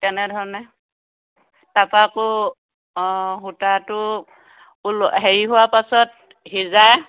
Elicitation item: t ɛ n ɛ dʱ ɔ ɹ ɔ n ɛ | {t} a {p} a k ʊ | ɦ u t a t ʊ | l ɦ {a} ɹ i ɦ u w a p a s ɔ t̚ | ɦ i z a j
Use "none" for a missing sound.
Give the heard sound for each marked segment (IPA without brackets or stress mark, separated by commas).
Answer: t, p, e